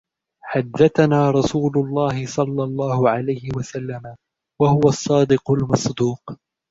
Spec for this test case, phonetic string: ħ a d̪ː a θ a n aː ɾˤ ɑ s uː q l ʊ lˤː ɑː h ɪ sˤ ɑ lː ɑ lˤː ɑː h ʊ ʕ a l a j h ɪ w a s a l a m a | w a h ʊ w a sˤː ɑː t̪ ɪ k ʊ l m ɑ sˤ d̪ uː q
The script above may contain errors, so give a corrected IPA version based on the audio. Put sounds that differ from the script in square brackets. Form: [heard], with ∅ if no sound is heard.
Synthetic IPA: ħ a d̪ː a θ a n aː ɾˤ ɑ s uː [∅] l ʊ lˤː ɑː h ɪ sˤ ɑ lː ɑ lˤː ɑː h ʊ ʕ a l a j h ɪ w a s a [lː] a m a | w a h ʊ w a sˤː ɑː [d̪] ɪ [q] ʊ l m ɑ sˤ d̪ uː q